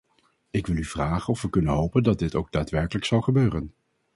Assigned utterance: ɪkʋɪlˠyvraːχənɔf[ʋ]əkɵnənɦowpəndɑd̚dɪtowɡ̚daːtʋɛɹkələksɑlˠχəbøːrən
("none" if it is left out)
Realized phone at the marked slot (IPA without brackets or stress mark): ʋ